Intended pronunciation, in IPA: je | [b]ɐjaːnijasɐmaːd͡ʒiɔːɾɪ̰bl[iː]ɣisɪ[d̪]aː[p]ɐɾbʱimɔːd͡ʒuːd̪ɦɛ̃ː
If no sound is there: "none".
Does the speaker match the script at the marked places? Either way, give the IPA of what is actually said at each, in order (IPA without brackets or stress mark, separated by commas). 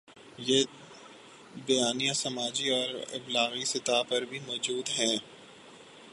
b, aː, t̪, p